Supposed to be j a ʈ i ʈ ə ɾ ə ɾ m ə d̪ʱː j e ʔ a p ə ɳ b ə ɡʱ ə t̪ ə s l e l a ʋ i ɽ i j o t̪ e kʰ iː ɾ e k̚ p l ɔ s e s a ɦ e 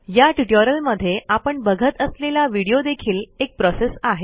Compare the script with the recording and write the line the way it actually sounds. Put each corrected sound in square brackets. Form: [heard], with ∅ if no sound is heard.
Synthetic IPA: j a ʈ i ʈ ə ɾ ə [l] m ə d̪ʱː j e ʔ a p ə ɳ b ə ɡʱ ə t̪ ə s l e l a ʋ i ɽ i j o [d̪] e kʰ iː [l] e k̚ p [ɾ] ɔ s e s a ɦ e